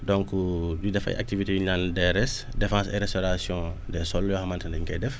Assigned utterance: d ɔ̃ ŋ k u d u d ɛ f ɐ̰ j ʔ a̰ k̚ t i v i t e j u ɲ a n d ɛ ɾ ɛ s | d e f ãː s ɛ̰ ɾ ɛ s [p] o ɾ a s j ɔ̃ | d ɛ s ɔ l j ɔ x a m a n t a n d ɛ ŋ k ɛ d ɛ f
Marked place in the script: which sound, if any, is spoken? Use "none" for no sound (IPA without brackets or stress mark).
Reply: t